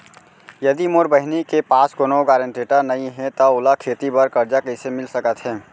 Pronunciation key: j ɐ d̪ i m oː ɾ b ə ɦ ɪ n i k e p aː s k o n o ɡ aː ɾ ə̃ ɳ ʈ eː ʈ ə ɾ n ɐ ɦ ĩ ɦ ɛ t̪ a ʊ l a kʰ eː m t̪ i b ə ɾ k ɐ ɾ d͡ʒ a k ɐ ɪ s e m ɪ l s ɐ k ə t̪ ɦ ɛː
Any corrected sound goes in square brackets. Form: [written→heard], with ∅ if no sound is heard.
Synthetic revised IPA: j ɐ d̪ i m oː ɾ b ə ɦ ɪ n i k e p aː s k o n o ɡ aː ɾ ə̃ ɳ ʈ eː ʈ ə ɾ n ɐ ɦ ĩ ɦ ɛ t̪ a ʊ l a kʰ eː [m→∅] t̪ i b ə ɾ k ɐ ɾ d͡ʒ a k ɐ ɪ s e m ɪ l s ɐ k ə t̪ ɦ ɛː